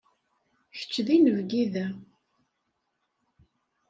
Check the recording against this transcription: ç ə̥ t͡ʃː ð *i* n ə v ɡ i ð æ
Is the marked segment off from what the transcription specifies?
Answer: no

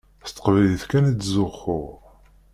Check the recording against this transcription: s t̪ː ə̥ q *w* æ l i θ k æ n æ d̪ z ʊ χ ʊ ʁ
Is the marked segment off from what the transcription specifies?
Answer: yes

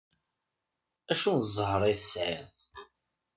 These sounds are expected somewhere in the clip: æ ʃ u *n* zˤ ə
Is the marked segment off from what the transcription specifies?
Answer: no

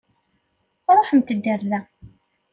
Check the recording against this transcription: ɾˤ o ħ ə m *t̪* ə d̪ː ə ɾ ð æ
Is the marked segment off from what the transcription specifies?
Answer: no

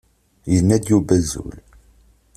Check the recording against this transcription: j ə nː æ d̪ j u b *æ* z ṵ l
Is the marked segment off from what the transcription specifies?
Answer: no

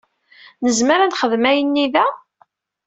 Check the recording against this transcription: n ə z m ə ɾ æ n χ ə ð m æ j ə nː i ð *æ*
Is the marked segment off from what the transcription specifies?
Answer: no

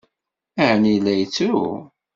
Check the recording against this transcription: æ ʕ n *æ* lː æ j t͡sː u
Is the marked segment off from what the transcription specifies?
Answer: yes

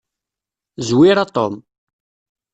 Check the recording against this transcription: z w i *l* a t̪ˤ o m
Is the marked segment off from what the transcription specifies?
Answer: yes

